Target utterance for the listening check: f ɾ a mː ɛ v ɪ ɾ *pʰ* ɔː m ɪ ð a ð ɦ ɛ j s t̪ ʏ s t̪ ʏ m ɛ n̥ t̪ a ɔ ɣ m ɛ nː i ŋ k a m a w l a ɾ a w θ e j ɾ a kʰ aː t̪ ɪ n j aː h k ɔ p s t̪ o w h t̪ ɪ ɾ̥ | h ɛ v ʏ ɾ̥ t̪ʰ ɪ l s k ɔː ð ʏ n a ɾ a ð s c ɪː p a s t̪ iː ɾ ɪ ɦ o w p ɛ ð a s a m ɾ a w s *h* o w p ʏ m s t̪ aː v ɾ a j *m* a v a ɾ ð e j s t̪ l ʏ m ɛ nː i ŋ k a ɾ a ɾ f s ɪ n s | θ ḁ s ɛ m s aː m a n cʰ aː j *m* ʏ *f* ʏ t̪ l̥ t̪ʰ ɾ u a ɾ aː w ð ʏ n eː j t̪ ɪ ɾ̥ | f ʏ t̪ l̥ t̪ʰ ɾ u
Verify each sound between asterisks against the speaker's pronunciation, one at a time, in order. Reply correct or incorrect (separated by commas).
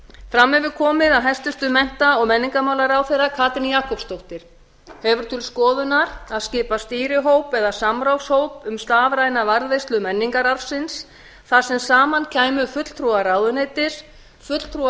incorrect, correct, incorrect, correct, correct